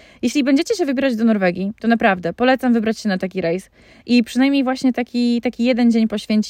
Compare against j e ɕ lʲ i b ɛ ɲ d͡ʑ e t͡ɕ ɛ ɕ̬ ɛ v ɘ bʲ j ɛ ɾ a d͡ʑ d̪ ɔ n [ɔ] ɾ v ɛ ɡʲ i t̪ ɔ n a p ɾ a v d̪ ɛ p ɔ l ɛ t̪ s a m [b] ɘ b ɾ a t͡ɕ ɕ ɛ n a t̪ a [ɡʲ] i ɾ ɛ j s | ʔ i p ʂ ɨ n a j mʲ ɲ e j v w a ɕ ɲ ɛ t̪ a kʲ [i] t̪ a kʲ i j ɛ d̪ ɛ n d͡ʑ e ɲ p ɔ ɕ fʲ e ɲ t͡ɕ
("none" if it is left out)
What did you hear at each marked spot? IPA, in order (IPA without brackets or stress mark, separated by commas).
ɔ, v, kʲ, i